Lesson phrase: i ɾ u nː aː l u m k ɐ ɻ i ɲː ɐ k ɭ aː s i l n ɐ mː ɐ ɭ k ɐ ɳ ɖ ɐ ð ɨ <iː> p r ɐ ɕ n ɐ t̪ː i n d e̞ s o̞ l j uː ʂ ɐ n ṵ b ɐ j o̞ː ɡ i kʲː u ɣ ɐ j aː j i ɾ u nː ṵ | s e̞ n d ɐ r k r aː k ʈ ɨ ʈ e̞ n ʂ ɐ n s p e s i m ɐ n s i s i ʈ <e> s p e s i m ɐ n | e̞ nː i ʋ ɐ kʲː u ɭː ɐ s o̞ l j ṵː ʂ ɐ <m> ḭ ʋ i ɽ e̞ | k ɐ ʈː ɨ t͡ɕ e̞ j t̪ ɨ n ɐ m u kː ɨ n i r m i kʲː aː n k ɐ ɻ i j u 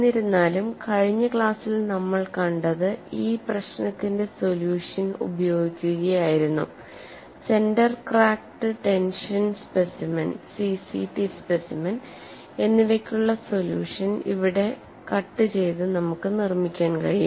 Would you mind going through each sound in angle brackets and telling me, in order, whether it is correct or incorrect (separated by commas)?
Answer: correct, incorrect, incorrect